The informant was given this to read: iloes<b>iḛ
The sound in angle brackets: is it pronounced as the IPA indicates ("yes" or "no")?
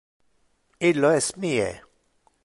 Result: no